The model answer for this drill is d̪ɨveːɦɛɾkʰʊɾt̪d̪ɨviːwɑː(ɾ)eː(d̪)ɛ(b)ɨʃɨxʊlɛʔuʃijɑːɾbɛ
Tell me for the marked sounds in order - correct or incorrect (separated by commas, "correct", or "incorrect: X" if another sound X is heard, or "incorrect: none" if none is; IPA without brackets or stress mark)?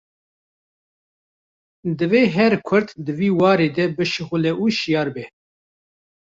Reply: correct, correct, correct